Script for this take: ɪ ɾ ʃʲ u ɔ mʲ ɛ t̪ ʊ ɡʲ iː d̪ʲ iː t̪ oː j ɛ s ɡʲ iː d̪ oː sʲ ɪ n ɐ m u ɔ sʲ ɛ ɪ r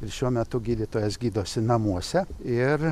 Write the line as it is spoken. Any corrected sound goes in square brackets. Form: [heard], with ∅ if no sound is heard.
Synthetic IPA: ɪ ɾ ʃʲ u ɔ mʲ ɛ t̪ ʊ ɡʲ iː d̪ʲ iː t̪ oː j ɛ s ɡʲ iː d̪ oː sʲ ɪ n ɐ m u ɔ sʲ ɛ ɪ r